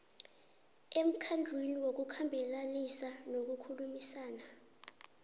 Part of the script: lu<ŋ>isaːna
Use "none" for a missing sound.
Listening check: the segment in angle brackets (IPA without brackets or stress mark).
m